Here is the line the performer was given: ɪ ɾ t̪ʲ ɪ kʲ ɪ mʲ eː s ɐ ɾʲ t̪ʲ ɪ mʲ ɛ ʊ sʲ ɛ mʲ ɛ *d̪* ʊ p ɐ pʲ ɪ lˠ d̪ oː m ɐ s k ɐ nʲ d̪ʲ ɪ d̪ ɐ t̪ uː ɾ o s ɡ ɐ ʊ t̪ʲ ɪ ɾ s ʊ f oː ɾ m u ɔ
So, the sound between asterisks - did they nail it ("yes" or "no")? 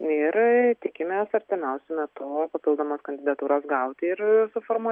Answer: no